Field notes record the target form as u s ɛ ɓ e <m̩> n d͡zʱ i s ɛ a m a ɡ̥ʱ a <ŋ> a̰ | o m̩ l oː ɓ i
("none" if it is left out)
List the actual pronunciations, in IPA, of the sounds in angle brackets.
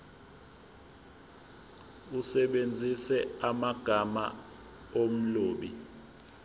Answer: none, m

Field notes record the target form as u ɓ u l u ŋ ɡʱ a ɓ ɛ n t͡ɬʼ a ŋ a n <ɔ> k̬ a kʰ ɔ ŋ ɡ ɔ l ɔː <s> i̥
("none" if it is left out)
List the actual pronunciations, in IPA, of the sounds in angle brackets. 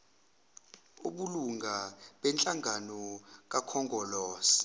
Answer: ɔ, s

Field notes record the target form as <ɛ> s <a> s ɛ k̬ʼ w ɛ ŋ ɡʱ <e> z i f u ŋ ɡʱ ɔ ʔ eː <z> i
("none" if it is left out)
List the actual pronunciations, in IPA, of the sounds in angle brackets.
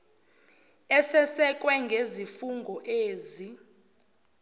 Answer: ɛ, ɛ, e, z

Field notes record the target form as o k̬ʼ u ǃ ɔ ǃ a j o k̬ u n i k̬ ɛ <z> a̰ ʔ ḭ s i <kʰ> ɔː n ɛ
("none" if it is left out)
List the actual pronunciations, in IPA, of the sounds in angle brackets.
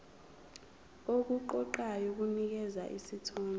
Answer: z, tʰ

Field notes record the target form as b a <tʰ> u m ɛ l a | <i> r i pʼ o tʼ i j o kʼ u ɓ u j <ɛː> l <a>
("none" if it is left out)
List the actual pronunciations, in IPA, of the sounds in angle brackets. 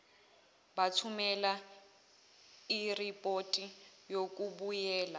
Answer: tʰ, i, ɛː, a

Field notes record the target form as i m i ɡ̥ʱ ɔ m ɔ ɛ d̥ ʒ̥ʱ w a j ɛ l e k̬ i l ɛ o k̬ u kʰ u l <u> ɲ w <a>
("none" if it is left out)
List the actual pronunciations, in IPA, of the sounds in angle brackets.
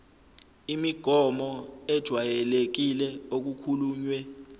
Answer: uː, ɛ

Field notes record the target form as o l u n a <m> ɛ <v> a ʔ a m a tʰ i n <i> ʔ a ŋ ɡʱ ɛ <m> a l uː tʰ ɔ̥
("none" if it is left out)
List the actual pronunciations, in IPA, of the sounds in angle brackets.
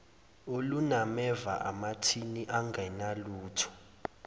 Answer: m, v, i, n

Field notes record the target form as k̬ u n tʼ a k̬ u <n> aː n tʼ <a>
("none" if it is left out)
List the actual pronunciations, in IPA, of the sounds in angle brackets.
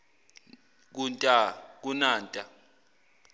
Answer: n, a

